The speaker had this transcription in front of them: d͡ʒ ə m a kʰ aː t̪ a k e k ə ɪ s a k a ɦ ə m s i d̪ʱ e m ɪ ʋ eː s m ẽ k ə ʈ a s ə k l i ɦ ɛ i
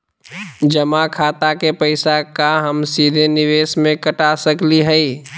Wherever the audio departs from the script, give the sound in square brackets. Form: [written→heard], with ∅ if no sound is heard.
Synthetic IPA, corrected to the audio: d͡ʒ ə m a kʰ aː t̪ a k e [k→p] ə ɪ s a k a ɦ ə m s i d̪ʱ e [m→n] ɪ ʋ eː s m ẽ k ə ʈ a s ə k l i ɦ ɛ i